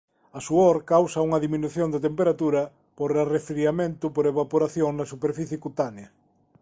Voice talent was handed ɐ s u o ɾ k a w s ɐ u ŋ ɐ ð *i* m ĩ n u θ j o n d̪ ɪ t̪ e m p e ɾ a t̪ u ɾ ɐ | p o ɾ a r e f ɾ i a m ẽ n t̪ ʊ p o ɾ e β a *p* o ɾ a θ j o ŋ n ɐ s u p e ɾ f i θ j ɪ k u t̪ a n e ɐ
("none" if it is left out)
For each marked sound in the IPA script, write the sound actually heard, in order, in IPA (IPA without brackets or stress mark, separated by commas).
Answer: i, p